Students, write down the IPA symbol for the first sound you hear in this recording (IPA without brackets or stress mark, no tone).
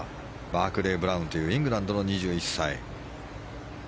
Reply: b